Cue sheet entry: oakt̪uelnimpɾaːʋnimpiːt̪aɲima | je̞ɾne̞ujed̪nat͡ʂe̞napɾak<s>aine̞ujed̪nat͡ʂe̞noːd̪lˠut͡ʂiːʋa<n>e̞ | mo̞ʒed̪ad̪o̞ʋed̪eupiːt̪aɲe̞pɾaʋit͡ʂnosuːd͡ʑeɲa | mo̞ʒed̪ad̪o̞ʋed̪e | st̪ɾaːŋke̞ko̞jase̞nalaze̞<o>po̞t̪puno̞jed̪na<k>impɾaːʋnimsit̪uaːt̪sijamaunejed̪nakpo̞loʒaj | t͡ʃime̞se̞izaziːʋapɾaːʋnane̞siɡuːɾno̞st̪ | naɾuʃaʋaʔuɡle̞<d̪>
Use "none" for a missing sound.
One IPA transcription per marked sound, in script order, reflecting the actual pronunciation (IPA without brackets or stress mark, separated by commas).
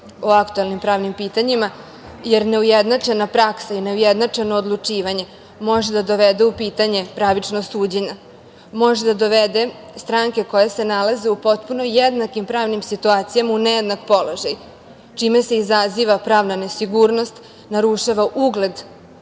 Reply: s, ɲ, u, k, d̪